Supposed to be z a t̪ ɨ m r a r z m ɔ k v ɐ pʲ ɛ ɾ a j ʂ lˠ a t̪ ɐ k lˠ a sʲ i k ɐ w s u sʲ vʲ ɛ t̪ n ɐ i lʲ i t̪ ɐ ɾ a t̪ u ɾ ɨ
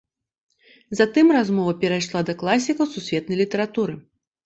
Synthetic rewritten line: z a t̪ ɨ m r a z m ɔ v ɐ pʲ ɛ ɾ a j ʂ lˠ a d̪ ɐ k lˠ a sʲ i k ɐ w s u sʲ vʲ ɛ t̪ n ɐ j lʲ i t̪ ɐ ɾ a t̪ u ɾ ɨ